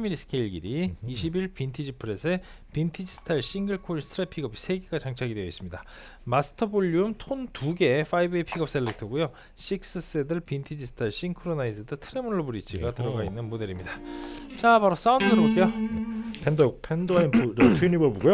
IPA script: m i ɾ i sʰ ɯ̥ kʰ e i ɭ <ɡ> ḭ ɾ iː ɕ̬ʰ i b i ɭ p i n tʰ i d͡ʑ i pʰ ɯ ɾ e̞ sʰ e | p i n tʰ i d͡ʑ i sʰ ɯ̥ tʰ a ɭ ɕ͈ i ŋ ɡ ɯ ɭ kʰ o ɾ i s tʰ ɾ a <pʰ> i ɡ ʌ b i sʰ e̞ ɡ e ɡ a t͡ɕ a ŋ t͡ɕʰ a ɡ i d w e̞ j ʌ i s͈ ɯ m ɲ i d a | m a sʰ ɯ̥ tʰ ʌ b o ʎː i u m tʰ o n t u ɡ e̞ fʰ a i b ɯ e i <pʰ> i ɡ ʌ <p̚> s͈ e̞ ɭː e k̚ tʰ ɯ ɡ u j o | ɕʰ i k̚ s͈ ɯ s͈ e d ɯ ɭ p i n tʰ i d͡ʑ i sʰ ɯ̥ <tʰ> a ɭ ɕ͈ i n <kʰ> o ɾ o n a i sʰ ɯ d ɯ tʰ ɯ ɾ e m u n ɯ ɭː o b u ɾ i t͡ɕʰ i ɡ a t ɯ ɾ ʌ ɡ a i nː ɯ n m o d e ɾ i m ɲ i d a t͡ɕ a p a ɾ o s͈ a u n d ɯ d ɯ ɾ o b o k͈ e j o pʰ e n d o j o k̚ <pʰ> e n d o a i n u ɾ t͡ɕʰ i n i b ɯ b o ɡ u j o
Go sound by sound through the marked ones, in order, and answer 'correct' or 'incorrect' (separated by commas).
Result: correct, correct, correct, correct, correct, correct, correct